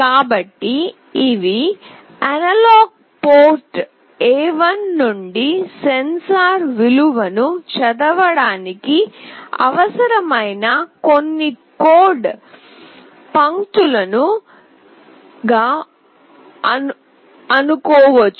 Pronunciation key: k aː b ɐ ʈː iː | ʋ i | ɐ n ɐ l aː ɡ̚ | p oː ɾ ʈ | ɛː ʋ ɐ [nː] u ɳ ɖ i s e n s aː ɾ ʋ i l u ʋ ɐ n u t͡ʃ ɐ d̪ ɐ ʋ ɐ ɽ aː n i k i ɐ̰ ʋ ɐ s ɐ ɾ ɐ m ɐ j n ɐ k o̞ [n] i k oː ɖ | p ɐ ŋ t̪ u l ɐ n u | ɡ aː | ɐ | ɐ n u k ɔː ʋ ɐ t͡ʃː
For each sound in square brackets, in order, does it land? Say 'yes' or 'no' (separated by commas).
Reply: yes, no